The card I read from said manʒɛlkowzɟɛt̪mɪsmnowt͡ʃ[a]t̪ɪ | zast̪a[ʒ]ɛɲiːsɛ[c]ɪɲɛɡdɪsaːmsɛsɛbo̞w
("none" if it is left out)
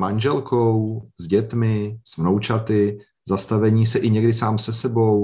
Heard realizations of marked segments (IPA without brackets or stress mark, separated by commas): a, v, ʔ